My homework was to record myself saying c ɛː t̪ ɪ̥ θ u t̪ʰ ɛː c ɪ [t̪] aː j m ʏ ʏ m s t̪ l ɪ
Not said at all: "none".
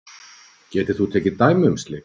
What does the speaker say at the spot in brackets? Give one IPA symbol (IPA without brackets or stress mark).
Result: t̪